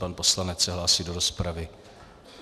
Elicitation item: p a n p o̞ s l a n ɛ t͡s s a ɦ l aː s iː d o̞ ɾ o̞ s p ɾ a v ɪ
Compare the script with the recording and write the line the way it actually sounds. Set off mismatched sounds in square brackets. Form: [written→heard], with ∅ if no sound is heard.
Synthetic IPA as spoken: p a n p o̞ s l a n ɛ t͡s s [a→ɛ] ɦ l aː s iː d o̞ ɾ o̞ s p ɾ a v ɪ